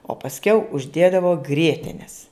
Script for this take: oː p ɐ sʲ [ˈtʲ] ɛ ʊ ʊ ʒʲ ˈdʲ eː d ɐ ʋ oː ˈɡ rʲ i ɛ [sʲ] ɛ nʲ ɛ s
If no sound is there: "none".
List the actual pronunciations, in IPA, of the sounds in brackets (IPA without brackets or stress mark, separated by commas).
kʲ, tʲ